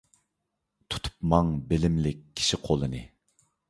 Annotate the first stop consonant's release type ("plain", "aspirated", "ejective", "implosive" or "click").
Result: aspirated